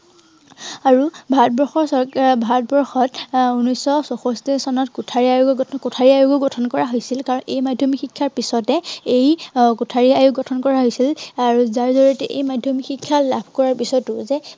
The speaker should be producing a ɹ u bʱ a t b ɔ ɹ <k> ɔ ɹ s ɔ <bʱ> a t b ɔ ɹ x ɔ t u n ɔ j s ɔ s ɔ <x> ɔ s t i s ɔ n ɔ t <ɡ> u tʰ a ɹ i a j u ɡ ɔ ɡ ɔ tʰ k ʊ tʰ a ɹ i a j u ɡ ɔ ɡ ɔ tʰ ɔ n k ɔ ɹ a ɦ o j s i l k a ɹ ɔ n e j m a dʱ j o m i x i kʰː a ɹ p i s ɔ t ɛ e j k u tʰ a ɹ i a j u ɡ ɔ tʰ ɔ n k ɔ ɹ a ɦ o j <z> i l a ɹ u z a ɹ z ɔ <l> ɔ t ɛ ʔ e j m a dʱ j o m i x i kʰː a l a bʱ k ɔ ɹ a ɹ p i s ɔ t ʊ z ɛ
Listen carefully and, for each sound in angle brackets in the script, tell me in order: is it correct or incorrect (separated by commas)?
incorrect, correct, correct, incorrect, incorrect, incorrect